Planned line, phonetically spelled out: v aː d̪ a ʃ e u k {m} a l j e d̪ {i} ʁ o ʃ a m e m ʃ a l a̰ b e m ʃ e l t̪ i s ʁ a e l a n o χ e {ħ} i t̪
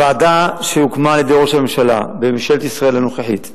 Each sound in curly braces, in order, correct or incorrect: correct, incorrect: e, correct

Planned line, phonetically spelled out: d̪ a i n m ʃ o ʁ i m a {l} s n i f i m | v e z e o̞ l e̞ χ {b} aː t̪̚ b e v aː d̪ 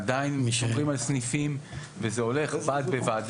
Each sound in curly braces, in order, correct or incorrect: correct, correct

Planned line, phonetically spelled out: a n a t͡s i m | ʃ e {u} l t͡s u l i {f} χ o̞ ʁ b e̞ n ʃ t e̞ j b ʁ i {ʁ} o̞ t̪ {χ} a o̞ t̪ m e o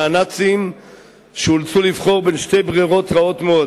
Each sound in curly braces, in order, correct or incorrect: correct, incorrect: v, correct, incorrect: ʁ

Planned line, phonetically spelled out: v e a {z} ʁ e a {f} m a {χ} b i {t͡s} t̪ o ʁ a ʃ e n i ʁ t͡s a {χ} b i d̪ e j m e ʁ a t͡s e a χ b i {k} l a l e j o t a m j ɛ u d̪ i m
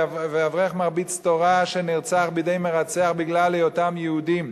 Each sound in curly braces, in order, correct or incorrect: incorrect: v, incorrect: χ, incorrect: ʁ, correct, correct, incorrect: ɡ

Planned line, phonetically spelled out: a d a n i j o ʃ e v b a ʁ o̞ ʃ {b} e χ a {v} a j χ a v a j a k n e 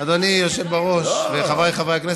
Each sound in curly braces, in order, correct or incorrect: incorrect: v, correct

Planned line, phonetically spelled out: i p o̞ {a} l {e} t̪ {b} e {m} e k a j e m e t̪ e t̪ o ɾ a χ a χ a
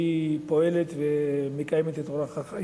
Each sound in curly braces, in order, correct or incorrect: incorrect: e, correct, incorrect: v, correct

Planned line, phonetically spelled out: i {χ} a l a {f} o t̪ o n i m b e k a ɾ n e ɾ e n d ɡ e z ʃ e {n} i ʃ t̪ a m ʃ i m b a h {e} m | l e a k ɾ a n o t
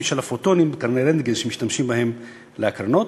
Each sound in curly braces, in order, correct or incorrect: incorrect: ʃ, correct, incorrect: m, correct

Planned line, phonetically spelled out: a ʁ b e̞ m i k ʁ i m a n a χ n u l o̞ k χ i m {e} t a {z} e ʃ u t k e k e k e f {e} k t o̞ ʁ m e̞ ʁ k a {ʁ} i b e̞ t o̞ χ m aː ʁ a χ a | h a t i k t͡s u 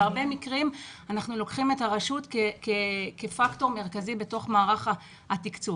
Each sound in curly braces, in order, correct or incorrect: correct, incorrect: ʁ, incorrect: a, incorrect: z

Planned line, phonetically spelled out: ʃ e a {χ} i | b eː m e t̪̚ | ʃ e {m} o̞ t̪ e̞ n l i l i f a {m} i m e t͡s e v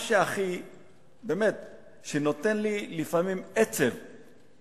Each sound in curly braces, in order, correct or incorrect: correct, incorrect: n, correct

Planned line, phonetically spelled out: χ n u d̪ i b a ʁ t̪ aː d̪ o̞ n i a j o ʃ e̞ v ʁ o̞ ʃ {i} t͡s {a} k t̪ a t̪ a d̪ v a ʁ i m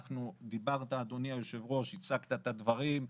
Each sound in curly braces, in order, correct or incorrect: correct, correct

